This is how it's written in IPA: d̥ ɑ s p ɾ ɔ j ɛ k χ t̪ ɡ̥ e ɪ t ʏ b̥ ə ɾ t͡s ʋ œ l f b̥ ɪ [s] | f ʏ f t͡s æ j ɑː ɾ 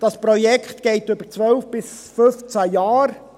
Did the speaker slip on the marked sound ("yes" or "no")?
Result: no